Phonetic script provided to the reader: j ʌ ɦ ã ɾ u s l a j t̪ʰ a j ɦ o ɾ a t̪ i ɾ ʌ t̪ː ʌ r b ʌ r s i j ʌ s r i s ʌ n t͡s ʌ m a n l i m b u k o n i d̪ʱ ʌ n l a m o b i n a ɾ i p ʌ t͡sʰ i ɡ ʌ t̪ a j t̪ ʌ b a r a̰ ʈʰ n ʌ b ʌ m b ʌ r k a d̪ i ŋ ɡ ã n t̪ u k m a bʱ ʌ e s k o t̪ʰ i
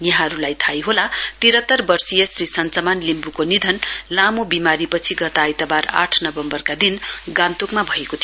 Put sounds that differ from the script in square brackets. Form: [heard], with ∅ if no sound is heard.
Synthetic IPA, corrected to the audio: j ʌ ɦ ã ɾ u [∅] l a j t̪ʰ a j ɦ o [l] a t̪ i ɾ ʌ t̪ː ʌ r b ʌ r s i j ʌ s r i s ʌ n t͡s ʌ m a n l i m b u k o n i d̪ʱ ʌ n l a m o b i [m] a ɾ i p ʌ t͡sʰ i ɡ ʌ t̪ a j t̪ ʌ b a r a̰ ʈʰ n ʌ b ʌ m b ʌ r k a d̪ i [n] ɡ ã n t̪ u k m a bʱ ʌ e [∅] k o t̪ʰ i